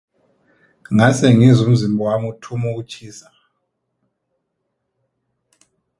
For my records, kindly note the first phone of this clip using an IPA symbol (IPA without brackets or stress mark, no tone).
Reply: ŋ